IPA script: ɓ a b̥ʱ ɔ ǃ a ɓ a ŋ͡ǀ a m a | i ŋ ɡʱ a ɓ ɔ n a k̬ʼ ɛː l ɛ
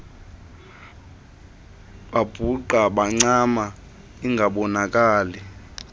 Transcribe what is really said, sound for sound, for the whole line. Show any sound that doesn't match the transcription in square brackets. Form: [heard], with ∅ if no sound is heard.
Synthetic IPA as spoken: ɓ a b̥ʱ [u] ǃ a ɓ a ŋ͡ǀ a m a | i ŋ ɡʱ a ɓ ɔ n a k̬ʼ [aː] l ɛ